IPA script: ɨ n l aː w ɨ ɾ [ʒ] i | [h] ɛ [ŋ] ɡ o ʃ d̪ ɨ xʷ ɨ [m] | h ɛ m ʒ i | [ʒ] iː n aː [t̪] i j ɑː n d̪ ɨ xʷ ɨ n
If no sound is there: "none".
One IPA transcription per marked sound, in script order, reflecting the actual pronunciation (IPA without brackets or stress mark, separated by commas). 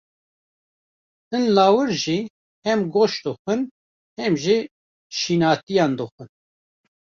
ʒ, h, m, n, ʃ, t̪